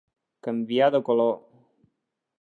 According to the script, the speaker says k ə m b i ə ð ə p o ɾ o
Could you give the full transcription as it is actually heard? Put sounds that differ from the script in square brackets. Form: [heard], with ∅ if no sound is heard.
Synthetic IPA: k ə m b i [a] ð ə [k] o [l] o